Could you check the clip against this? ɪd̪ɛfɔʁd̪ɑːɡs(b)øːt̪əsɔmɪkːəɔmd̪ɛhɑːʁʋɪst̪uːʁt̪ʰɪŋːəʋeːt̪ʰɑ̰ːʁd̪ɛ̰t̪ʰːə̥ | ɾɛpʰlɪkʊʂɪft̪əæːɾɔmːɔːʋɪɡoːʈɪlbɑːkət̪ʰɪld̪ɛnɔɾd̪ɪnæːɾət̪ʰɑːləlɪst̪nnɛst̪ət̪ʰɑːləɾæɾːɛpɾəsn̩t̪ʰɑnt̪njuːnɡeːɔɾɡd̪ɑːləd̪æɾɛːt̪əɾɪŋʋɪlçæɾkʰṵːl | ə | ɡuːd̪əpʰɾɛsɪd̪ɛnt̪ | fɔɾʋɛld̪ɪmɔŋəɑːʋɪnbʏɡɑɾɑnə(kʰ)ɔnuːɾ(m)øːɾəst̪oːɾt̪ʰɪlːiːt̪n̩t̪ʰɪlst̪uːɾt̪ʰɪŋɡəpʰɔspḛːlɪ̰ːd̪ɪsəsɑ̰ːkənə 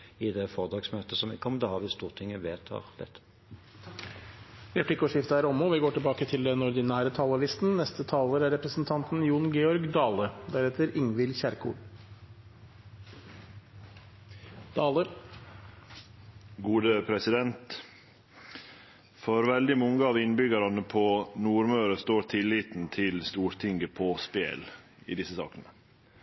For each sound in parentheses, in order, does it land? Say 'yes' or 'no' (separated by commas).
no, no, yes